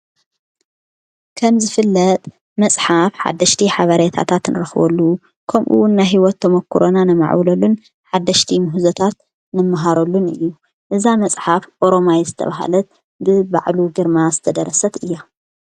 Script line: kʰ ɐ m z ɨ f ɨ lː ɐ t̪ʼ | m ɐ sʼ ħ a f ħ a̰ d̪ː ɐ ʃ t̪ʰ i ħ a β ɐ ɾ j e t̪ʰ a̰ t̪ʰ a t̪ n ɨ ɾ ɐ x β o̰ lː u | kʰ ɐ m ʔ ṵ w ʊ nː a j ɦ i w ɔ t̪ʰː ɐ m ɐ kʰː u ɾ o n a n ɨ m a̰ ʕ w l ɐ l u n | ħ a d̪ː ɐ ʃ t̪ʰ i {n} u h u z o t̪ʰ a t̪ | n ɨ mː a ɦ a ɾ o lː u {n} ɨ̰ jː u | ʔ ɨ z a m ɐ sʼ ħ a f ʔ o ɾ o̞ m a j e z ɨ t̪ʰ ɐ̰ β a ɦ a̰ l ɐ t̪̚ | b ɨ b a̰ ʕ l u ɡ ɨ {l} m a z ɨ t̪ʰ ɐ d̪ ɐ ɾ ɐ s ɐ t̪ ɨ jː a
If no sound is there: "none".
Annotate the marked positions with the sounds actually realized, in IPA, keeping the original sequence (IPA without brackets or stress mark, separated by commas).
m, n, ɾ